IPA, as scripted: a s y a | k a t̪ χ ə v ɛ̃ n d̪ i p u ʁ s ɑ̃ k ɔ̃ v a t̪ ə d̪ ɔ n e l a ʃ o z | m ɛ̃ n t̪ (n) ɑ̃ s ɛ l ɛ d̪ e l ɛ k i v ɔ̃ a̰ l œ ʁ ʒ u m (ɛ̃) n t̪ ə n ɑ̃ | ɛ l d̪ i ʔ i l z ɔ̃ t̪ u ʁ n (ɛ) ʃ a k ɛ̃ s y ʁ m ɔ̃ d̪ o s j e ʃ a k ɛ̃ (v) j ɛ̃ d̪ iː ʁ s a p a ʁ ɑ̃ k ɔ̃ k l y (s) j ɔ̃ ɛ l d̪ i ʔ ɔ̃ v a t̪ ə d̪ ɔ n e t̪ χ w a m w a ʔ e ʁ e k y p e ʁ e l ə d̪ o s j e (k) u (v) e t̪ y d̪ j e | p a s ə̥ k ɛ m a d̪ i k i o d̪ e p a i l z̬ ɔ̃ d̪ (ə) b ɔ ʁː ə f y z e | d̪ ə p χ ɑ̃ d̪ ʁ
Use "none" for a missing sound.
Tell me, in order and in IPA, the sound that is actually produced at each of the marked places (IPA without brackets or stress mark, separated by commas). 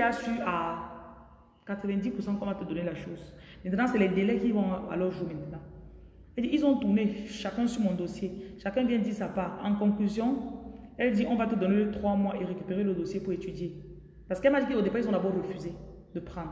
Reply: n, ɛ̃, e, v, z, p, ʁ, a